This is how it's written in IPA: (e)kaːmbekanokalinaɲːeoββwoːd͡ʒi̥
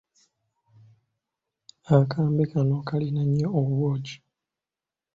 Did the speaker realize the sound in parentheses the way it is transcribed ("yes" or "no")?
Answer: no